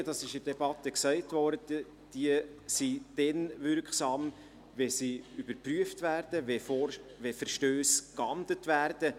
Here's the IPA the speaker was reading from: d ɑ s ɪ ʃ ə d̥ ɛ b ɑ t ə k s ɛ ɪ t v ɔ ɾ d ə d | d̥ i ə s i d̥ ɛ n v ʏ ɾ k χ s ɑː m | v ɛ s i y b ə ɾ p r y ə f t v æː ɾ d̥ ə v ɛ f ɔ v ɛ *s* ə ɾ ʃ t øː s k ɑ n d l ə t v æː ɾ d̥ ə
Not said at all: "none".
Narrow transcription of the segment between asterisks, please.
f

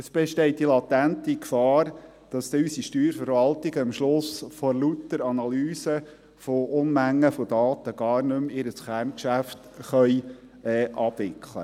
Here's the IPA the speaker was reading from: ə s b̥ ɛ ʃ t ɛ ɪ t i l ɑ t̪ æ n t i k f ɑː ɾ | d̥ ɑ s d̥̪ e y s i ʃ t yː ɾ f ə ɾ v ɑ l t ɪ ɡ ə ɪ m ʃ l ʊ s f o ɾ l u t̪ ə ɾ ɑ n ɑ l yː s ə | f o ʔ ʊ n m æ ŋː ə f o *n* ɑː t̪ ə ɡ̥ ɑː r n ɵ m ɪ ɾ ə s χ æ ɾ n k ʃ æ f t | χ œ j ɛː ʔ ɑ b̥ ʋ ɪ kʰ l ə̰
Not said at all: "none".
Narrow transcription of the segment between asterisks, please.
d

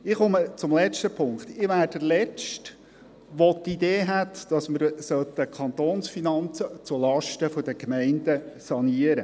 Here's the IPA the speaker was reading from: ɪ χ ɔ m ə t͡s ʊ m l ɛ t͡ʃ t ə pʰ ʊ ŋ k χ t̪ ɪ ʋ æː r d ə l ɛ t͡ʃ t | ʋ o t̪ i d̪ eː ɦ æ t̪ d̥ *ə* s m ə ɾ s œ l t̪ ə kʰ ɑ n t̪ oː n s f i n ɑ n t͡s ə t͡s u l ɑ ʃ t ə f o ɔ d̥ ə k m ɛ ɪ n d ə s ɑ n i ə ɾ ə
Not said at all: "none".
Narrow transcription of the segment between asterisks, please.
ɑ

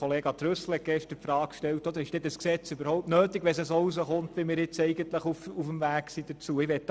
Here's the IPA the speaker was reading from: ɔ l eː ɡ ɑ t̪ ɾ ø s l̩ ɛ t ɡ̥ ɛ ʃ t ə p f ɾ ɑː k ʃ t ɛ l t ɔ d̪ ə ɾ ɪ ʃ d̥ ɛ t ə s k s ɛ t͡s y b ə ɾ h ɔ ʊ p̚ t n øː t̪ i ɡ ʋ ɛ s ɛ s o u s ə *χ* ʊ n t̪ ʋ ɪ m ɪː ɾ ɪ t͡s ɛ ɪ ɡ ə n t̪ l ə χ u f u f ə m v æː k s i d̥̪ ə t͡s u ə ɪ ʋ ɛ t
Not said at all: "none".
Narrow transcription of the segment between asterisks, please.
χ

